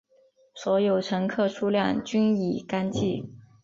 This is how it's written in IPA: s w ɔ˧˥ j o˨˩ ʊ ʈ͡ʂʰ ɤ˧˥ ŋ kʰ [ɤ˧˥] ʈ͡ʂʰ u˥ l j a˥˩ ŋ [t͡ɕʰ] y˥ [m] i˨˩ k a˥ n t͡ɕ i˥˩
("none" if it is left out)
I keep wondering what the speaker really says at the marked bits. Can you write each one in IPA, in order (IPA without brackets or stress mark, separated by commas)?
ɤ˥˩, t͡ɕ, n